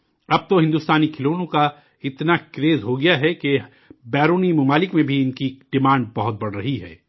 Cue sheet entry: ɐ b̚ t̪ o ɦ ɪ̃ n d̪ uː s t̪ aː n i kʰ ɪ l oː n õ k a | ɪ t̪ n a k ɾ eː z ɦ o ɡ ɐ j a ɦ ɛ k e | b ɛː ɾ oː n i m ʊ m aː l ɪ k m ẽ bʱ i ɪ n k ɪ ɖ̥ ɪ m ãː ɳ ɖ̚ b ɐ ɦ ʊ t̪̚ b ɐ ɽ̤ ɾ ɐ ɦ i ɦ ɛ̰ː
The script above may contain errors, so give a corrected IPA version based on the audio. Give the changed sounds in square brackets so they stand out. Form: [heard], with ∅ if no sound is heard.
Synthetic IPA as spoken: ɐ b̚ t̪ o ɦ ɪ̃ n d̪ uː s t̪ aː n i kʰ ɪ l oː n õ k a | ɪ t̪ n a k ɾ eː z ɦ o ɡ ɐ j a ɦ ɛ k e | b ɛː ɾ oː n i m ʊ m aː l ɪ k m ẽ bʱ i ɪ n k [i] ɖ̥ ɪ m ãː ɳ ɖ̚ b ɐ ɦ ʊ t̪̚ b ɐ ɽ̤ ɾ ɐ ɦ i ɦ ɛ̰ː